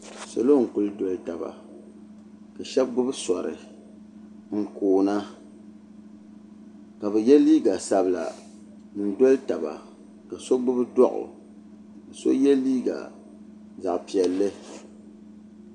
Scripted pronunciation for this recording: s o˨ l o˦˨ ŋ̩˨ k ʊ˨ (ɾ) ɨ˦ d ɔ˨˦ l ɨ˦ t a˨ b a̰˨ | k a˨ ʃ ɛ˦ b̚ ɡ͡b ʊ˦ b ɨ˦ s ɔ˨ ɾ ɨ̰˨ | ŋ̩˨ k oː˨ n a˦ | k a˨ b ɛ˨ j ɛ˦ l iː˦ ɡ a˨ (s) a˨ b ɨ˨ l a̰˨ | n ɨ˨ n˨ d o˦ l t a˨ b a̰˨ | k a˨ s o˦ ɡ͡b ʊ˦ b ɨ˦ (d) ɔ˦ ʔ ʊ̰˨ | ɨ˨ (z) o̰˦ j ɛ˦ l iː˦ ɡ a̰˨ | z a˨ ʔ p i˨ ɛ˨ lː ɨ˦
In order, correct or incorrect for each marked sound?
incorrect: l, correct, correct, incorrect: s

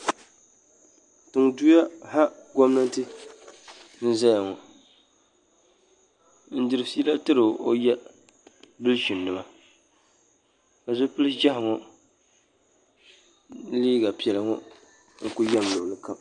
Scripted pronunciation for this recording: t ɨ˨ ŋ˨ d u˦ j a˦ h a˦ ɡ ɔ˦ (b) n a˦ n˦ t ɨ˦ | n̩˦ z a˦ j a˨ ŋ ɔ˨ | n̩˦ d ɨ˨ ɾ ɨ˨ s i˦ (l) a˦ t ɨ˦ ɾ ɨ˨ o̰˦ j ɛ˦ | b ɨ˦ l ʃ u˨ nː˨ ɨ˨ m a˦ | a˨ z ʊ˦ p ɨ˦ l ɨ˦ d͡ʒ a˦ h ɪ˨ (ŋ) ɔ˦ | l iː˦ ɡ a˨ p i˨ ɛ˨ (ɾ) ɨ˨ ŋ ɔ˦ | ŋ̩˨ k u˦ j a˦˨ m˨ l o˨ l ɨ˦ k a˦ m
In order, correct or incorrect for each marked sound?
incorrect: m, correct, correct, incorrect: l

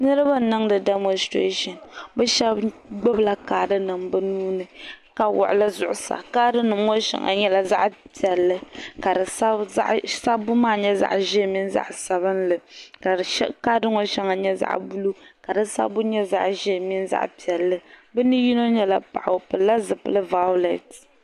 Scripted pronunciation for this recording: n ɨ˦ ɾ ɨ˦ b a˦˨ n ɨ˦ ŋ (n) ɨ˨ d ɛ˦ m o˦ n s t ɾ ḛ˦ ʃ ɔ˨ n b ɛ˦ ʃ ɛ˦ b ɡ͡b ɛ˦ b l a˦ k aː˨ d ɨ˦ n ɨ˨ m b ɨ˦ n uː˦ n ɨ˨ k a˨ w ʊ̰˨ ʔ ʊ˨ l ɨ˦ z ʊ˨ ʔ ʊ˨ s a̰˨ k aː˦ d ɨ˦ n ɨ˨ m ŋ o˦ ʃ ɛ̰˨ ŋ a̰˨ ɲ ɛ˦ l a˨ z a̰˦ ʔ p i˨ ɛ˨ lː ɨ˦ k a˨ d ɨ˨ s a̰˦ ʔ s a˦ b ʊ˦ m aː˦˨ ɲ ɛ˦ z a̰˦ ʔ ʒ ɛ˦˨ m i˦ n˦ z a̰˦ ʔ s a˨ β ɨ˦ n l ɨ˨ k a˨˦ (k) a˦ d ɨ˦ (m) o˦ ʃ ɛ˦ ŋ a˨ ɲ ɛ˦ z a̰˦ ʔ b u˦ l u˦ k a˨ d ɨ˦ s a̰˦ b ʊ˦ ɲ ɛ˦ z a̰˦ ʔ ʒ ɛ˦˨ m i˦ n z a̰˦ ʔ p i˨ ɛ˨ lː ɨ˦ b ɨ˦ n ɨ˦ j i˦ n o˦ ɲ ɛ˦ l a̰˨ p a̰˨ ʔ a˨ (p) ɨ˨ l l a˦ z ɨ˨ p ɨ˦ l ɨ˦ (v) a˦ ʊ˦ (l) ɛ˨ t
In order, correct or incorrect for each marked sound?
incorrect: d, correct, incorrect: ŋ, correct, correct, correct

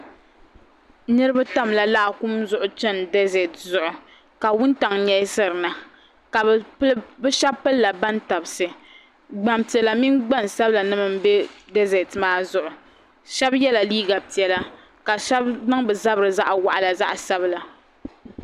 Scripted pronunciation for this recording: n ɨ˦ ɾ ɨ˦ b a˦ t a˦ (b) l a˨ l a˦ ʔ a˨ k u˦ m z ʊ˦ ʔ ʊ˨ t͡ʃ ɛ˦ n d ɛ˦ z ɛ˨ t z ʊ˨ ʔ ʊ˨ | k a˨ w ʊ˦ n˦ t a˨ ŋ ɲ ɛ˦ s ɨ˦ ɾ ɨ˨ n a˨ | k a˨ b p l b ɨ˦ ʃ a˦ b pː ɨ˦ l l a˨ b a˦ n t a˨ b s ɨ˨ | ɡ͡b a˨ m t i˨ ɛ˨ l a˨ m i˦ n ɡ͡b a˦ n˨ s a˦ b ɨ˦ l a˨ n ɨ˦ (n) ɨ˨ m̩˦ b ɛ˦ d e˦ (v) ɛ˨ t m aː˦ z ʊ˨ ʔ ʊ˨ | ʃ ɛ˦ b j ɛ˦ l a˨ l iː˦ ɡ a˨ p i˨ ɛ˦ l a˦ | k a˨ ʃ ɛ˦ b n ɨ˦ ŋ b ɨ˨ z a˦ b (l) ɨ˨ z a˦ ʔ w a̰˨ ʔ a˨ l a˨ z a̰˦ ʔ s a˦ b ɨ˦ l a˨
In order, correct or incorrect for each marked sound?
incorrect: m, incorrect: m, incorrect: z, incorrect: ɾ

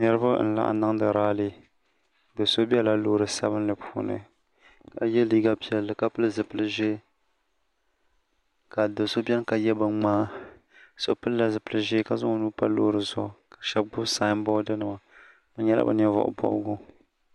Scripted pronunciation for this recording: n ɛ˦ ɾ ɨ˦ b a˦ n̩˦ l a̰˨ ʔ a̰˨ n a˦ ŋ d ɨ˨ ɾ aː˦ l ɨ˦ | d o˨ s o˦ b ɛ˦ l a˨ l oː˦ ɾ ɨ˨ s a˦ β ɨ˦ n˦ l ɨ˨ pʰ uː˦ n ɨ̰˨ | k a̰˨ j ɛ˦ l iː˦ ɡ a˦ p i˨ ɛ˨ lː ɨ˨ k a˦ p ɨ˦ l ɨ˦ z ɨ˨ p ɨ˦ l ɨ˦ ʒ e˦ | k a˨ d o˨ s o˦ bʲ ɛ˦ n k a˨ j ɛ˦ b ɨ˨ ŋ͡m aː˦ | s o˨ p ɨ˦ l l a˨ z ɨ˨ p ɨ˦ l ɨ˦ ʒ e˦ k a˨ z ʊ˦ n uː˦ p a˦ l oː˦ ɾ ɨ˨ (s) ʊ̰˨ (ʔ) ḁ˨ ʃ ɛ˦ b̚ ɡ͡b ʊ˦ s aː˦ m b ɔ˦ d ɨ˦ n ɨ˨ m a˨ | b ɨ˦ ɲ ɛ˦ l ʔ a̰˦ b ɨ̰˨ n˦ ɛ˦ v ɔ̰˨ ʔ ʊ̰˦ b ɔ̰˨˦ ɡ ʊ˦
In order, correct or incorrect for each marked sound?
incorrect: z, incorrect: k

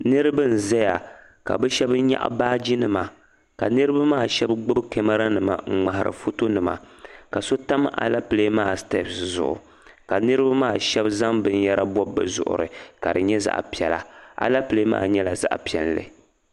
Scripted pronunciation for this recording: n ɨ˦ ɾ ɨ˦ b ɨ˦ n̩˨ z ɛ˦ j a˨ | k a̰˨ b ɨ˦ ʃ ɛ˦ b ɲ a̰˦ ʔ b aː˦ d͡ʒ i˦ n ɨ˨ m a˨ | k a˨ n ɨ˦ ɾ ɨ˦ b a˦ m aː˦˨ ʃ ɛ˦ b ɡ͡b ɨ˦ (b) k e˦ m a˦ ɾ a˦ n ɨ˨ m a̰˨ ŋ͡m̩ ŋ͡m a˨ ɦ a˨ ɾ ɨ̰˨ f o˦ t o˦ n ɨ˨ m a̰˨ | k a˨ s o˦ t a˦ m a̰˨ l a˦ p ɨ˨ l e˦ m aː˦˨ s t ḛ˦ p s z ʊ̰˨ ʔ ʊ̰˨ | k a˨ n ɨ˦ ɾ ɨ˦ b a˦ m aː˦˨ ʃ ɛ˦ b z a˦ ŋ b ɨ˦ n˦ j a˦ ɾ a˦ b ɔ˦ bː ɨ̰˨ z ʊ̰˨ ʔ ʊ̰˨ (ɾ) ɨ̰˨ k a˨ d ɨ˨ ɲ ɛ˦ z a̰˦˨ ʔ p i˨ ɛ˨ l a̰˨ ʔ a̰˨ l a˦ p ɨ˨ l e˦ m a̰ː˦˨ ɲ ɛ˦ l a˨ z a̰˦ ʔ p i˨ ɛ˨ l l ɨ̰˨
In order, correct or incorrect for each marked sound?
correct, correct

